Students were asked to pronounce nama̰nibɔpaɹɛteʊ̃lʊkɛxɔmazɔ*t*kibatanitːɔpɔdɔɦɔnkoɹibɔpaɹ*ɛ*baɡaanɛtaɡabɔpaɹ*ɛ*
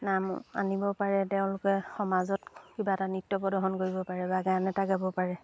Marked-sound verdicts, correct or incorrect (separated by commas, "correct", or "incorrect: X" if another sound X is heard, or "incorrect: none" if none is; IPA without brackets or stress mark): correct, correct, correct